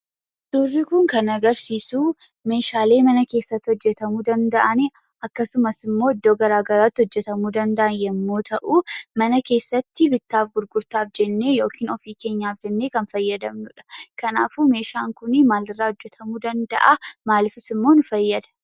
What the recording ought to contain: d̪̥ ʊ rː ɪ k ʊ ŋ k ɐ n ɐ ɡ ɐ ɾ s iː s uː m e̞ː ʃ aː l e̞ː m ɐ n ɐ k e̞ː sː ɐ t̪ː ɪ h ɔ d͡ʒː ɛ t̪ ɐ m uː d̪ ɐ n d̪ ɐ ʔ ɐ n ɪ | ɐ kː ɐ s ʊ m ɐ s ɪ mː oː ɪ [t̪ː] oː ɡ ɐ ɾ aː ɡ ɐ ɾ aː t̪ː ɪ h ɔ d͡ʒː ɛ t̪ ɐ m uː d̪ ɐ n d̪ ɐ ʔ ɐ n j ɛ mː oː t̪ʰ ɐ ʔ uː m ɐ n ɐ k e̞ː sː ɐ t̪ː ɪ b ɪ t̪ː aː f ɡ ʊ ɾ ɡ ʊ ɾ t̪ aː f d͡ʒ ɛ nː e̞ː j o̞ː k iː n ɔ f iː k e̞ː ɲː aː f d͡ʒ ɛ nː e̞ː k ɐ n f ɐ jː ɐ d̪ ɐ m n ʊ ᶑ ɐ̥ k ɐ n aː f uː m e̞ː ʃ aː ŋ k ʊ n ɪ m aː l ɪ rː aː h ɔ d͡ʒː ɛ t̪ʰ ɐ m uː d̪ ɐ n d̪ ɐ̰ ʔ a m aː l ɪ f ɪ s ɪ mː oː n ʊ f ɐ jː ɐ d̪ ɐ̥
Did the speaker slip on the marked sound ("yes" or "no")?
yes